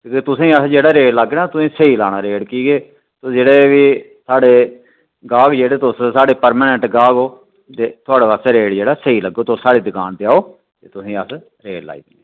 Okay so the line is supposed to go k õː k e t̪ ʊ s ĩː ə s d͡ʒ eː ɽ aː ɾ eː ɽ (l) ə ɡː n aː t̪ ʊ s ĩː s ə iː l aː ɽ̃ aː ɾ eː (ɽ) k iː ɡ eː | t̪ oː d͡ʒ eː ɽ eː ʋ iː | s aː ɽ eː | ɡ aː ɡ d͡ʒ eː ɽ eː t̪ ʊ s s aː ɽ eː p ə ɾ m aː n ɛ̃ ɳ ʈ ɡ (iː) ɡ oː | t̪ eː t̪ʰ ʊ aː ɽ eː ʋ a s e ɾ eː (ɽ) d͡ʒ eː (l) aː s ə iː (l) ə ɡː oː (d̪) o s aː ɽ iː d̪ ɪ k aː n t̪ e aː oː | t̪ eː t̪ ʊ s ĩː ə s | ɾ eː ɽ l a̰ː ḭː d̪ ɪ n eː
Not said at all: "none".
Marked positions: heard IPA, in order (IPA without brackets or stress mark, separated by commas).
l, ɽ, aː, ɽ, ɽ, l, t̪